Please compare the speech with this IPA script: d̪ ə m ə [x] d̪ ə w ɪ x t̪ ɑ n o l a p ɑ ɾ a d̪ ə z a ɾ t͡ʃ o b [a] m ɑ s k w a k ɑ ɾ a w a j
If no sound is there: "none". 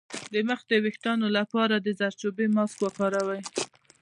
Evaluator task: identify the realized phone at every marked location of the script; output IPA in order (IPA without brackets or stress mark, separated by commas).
x, e